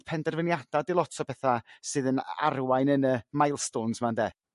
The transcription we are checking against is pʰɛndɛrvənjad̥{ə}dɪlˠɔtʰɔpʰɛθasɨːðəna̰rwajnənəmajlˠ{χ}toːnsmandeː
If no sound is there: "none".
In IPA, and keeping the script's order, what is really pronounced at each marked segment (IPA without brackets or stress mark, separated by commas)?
a, s